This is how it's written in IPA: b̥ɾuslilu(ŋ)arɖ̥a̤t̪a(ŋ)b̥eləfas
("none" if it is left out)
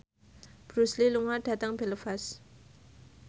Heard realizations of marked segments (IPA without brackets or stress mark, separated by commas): ŋ, ŋ